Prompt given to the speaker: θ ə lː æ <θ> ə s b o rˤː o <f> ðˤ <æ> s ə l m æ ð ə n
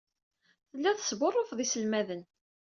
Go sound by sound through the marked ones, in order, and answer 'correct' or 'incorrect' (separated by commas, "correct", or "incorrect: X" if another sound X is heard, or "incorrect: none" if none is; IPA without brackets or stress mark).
correct, correct, incorrect: i